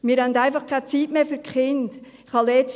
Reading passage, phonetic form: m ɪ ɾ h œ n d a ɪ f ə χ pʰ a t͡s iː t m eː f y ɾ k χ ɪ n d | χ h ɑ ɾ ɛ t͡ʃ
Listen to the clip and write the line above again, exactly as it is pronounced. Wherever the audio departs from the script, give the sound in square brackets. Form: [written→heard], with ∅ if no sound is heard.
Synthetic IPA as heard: m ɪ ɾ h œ n d a ɪ f [ə→ɑ] χ [pʰ→kʰ] a t͡s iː t m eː f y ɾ k χ ɪ n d | χ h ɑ [ɾ→l] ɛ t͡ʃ

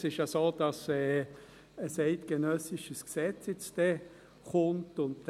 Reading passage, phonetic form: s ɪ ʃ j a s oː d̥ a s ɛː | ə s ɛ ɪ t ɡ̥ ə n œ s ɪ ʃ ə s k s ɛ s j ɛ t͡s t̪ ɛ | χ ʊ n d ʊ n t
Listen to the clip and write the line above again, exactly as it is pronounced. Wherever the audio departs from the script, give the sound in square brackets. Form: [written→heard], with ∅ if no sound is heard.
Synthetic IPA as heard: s ɪ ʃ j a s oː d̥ [a→ɑ] s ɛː | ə s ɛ ɪ t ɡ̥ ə n œ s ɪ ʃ ə s k s ɛ [s→t͡s] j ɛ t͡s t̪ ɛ | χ ʊ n [d→t] ʊ n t

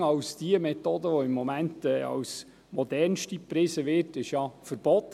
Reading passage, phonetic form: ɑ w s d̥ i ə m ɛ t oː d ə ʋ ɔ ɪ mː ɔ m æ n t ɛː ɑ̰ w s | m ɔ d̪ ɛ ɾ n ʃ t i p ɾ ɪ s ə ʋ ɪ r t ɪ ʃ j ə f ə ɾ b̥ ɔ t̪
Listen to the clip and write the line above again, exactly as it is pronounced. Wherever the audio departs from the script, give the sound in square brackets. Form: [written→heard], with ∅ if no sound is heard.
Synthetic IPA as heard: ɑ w s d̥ i ə m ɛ t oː d ə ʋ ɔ ɪ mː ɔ m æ n t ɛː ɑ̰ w s | m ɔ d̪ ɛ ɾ n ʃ t i p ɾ ɪ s ə ʋ ɪ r t ɪ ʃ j [ə→ɑ] f ə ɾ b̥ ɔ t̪

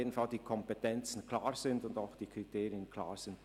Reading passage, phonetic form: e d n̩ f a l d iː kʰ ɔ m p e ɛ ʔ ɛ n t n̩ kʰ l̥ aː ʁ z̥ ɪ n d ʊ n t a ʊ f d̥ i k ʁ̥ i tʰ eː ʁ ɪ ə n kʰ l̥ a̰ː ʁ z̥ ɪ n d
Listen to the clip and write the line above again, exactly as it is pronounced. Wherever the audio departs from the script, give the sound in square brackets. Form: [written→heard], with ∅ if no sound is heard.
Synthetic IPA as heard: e d n̩ f a l d iː kʰ ɔ m p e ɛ [ʔ→t] ɛ n [t→t͡s] n̩ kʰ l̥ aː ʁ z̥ ɪ n d ʊ n [t→d] a ʊ [f→x] d̥ [i→iː] k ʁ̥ i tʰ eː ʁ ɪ ə n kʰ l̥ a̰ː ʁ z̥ ɪ n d

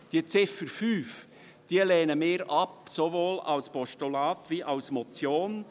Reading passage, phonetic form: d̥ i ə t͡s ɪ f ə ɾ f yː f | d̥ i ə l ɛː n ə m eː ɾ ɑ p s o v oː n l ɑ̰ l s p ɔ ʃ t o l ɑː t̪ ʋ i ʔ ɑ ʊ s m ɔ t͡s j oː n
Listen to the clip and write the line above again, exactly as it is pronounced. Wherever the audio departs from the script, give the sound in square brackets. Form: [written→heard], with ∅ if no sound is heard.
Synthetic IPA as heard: d̥ i ə t͡s ɪ f ə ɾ f yː f | d̥ i ə l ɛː n ə m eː ɾ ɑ p s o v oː [n→∅] l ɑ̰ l s p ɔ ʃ t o l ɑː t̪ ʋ i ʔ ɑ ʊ s m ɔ t͡s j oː n

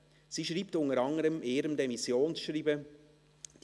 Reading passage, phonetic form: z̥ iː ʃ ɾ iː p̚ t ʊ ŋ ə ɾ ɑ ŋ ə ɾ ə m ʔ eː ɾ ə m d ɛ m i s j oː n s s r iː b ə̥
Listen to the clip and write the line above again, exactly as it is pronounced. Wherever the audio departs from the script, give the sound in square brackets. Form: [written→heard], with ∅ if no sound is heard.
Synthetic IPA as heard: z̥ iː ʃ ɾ iː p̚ t ʊ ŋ ə ɾ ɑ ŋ ə ɾ ə m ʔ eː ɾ ə m d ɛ m i s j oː n s [s→ʃ] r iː b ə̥

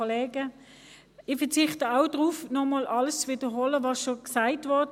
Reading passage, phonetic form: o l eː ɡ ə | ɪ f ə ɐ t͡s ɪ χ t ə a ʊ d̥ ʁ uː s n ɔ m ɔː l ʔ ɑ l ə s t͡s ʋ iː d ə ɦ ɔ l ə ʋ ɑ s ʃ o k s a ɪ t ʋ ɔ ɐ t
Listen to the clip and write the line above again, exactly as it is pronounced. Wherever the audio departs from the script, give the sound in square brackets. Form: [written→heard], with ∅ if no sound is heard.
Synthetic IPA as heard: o l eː ɡ ə | ɪ f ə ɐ t͡s ɪ χ t ə a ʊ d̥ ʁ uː [s→f] n ɔ m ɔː l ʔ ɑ l ə s t͡s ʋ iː d ə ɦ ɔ l ə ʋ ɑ s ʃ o k s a ɪ t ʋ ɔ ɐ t

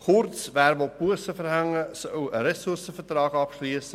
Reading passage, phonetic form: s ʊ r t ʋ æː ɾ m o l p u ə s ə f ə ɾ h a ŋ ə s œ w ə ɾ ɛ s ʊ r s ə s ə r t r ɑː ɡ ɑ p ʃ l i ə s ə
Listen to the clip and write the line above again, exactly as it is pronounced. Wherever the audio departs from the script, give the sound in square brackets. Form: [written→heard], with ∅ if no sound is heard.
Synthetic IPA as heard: [s→χ] ʊ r [t→t͡s] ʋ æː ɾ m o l p u ə s ə f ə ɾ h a ŋ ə s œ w ə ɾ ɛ s ʊ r s ə [s→f] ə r t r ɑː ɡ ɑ p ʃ l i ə s ə

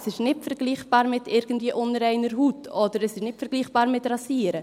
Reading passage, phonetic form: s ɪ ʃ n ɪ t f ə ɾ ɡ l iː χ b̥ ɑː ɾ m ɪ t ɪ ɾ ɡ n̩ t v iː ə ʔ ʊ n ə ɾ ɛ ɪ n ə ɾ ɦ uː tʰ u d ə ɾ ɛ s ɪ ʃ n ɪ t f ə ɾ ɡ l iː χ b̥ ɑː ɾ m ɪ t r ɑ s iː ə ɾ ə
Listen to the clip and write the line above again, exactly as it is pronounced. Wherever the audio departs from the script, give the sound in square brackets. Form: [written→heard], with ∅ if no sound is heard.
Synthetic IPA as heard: s ɪ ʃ n ɪ t f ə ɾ ɡ l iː χ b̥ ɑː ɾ m ɪ t ɪ ɾ ɡ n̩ t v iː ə ʔ ʊ n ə ɾ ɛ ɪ n ə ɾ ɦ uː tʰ [u→ɔ] d ə ɾ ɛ s ɪ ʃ n ɪ t f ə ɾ ɡ l iː χ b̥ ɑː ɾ m ɪ t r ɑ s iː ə ɾ ə

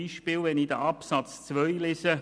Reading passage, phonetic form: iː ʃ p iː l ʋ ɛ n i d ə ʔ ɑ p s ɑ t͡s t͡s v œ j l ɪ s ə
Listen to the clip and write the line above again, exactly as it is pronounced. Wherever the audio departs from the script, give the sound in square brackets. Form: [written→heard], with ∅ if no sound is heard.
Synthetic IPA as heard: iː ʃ p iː l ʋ ɛ n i d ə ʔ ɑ p s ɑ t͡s t͡s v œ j l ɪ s ə

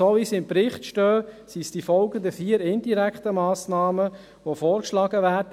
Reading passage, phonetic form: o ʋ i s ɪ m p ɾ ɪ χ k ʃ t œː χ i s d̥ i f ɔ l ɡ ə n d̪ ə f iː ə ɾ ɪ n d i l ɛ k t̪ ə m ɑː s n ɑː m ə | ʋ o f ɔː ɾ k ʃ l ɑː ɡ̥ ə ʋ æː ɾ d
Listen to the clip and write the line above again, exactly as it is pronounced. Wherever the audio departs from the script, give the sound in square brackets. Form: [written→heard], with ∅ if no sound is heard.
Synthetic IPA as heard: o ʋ i s ɪ m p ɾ ɪ χ [k→t] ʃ t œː [χ→s] i s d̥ i f ɔ l ɡ ə n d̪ ə f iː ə ɾ ɪ n d i [l→ɾ] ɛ k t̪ ə m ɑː s n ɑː m ə | ʋ o f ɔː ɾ k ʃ l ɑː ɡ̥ ə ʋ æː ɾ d

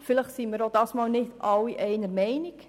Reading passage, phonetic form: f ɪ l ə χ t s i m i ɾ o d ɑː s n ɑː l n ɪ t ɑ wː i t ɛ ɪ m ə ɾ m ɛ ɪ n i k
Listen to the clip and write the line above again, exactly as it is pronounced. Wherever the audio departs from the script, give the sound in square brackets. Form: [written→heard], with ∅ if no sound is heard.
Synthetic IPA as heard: f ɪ l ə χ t s i m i ɾ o d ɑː s [n→m] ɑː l n ɪ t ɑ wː i [t→ʔ] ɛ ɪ [m→n] ə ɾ m ɛ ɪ n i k

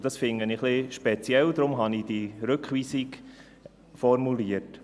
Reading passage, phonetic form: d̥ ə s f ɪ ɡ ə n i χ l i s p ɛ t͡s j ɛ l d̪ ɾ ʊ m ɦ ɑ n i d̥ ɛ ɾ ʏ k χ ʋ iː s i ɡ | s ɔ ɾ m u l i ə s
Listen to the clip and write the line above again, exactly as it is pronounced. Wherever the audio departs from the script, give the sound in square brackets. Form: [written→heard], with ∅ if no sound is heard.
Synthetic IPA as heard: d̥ [ə→ɑ] s f ɪ [ɡ→ŋ] ə n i χ l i [s→ʃ] p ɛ t͡s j ɛ l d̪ ɾ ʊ m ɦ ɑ n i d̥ [ɛ→i] ɾ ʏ k χ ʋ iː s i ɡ | [s→f] ɔ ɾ m u l i ə [s→t]

